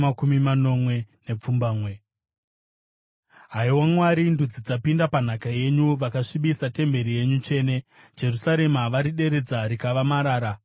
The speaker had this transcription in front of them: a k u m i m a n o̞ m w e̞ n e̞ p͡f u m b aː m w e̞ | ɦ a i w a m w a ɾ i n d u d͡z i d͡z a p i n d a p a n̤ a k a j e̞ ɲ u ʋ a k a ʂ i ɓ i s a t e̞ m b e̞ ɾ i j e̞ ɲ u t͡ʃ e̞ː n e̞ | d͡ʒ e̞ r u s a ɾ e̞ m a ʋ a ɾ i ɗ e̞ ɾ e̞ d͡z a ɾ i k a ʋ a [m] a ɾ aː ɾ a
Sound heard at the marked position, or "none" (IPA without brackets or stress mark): m